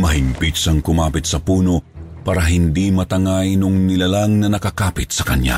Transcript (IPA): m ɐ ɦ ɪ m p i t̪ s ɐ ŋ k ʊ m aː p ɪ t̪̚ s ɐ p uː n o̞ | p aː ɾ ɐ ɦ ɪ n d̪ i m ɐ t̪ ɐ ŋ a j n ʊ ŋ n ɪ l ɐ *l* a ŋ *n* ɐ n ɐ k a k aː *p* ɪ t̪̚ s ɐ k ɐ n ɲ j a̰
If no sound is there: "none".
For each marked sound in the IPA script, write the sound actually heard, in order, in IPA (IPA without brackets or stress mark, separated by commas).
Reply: l, n, p